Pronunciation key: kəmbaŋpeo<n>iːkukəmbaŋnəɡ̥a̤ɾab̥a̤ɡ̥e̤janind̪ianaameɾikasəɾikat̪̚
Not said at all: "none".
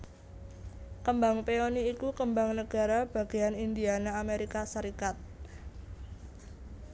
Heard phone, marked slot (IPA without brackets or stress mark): n